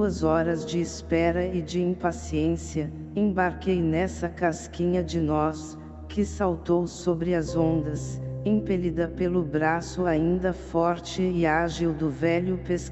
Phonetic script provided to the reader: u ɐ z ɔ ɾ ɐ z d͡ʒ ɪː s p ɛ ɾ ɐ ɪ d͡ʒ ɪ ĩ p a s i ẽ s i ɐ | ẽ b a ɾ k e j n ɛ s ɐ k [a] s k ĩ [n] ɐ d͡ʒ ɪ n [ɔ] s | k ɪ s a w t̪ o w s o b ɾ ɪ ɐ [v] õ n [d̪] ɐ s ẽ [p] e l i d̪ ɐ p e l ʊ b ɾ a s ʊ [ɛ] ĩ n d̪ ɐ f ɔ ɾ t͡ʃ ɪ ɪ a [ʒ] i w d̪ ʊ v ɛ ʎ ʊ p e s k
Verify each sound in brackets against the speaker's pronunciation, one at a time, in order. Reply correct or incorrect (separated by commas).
correct, incorrect, correct, incorrect, correct, correct, incorrect, correct